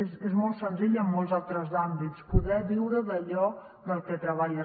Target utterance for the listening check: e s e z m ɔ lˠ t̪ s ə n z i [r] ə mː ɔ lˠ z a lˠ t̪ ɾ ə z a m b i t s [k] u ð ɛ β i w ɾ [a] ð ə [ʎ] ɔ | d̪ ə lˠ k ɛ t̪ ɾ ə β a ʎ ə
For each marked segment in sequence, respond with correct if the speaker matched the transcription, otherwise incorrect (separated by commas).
incorrect, incorrect, incorrect, correct